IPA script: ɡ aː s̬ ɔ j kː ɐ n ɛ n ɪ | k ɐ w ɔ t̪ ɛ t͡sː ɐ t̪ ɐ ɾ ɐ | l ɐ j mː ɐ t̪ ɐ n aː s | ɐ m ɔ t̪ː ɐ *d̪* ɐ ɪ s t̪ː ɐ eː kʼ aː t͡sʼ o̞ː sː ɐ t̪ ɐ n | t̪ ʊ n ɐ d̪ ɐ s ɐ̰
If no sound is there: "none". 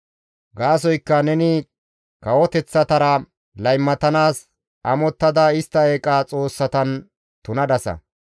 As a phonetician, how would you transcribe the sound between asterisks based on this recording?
d̪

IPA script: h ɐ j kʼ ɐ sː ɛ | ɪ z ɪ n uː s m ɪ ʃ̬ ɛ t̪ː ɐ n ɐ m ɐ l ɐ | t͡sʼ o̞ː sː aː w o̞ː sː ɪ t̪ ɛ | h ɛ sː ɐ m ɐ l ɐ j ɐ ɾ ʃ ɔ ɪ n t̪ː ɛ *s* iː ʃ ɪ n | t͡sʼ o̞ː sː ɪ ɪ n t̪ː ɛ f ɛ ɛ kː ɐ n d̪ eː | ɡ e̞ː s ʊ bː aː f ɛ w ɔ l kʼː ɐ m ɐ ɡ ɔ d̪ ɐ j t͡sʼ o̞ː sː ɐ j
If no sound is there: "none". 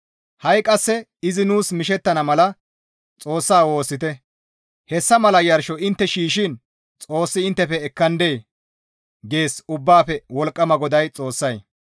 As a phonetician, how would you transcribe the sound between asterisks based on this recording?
ʃ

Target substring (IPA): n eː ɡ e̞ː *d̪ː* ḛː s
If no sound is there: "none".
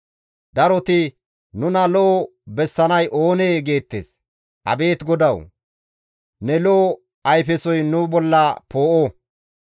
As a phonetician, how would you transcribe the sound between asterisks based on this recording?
t̪ː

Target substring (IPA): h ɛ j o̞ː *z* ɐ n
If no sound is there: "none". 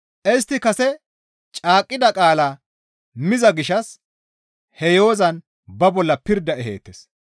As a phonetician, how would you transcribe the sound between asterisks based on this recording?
z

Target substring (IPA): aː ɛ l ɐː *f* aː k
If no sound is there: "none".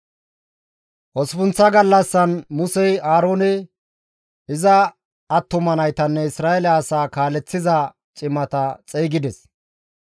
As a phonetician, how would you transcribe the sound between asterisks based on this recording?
s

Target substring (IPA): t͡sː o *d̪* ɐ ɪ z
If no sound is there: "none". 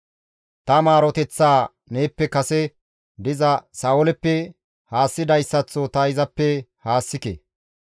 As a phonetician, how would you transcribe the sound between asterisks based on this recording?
t̪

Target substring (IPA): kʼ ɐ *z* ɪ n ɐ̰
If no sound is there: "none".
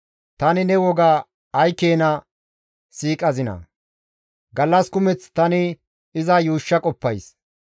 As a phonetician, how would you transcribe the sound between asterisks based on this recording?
z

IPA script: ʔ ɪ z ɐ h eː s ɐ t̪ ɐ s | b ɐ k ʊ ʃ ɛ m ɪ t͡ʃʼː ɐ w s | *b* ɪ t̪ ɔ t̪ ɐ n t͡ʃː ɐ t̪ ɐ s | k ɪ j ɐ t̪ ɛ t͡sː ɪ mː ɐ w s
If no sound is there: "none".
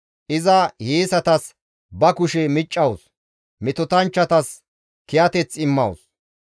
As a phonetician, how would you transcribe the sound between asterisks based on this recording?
m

